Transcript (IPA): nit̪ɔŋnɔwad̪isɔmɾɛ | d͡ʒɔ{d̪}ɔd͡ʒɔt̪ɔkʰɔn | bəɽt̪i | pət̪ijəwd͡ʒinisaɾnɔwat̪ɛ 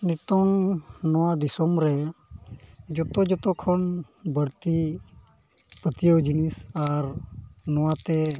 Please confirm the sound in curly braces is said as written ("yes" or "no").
no